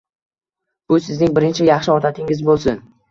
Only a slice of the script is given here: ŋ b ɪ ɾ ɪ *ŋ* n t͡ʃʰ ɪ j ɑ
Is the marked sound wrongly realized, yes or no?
yes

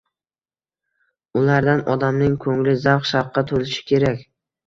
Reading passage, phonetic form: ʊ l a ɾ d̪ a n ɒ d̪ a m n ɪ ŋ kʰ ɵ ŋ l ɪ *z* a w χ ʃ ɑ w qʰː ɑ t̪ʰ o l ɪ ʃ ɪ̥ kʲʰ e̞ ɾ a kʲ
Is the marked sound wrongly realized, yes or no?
no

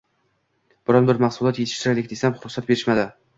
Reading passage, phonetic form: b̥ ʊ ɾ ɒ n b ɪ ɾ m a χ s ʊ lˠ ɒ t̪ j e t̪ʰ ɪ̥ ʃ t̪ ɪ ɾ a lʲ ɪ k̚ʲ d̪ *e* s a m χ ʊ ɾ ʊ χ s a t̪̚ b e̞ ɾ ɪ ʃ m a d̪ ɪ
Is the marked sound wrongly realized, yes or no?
no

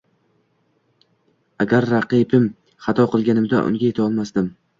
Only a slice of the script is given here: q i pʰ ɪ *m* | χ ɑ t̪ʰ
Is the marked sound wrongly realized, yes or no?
no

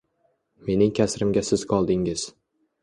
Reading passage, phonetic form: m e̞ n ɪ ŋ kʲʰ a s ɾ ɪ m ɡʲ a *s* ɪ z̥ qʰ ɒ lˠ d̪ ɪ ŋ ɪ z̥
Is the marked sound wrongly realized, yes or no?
no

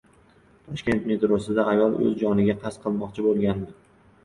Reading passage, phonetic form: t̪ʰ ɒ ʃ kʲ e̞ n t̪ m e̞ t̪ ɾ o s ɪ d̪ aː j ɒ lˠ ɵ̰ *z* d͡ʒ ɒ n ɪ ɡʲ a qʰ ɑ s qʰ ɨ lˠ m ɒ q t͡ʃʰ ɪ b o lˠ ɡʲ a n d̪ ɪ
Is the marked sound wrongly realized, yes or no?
no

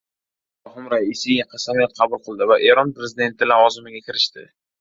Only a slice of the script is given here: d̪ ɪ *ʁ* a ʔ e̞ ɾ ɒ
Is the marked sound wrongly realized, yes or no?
yes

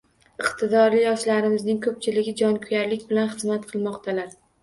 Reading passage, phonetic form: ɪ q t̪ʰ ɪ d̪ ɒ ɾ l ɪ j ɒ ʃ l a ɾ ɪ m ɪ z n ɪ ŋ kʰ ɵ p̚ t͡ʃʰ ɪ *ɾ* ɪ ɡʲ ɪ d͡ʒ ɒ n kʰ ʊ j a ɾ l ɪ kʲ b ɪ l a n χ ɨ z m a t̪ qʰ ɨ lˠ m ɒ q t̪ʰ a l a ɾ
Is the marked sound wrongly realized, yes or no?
yes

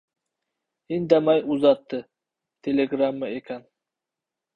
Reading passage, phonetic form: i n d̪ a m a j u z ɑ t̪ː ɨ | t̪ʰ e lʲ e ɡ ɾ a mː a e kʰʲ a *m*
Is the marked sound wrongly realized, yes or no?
yes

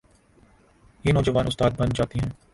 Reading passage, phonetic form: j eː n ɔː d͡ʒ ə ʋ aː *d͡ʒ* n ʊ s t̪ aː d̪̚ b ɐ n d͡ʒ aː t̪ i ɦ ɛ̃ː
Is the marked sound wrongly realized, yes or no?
yes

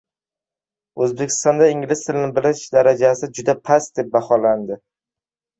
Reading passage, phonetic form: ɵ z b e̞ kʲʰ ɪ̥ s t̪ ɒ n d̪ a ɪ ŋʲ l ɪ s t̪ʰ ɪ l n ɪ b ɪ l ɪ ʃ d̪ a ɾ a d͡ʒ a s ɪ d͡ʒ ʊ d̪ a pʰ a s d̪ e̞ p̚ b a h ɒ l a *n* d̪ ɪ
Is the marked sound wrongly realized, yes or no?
no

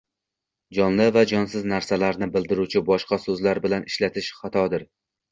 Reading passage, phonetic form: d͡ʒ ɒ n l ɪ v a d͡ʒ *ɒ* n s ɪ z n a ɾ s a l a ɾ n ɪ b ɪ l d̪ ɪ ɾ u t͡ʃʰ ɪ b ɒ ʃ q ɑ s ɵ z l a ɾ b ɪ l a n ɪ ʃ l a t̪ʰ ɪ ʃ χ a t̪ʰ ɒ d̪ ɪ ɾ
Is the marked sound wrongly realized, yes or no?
no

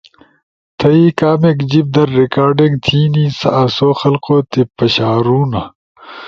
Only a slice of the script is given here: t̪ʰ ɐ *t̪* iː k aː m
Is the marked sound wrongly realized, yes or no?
yes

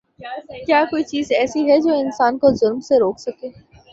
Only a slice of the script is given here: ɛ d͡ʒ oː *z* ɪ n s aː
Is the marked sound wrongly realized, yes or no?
yes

